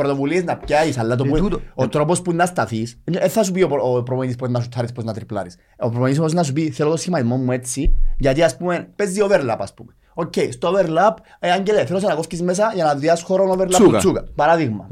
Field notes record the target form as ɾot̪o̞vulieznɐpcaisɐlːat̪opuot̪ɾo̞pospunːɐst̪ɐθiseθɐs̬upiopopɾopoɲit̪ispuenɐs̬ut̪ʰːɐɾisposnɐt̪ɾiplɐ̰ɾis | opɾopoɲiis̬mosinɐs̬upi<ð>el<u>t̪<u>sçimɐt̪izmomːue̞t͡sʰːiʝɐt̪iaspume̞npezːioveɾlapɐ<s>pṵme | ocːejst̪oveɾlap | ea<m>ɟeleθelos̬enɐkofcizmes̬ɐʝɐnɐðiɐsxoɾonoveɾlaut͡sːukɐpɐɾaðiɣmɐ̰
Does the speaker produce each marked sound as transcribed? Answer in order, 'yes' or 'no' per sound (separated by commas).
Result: no, no, no, yes, no